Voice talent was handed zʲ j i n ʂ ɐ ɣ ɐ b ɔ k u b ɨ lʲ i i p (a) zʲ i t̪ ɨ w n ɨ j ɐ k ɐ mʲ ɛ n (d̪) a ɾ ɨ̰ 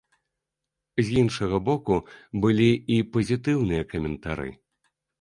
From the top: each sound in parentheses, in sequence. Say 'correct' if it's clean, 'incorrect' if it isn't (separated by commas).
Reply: incorrect, incorrect